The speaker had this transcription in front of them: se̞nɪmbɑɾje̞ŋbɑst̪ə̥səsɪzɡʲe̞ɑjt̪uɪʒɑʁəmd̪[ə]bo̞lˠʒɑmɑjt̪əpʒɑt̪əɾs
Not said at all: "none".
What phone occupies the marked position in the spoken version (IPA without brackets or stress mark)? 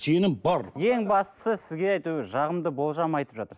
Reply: ə